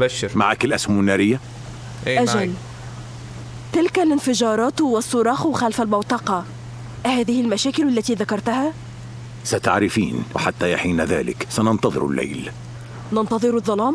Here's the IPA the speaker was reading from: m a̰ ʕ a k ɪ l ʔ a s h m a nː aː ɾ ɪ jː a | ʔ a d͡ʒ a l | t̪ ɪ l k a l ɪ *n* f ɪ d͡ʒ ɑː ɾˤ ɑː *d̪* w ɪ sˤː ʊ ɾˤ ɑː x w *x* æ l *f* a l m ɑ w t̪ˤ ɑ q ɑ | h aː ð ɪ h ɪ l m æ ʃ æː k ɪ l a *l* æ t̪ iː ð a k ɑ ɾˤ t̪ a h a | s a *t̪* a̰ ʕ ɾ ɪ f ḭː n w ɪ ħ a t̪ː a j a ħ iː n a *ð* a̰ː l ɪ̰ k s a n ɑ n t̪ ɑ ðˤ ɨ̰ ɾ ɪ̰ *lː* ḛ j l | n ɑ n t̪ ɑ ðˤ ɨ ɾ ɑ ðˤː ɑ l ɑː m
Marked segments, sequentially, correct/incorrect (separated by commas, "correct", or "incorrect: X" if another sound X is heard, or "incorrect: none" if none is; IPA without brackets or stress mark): correct, incorrect: t̪, correct, correct, incorrect: lː, correct, correct, correct